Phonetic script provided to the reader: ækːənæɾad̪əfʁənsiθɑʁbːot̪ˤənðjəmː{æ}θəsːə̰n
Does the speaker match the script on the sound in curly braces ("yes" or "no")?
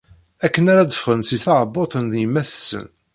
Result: yes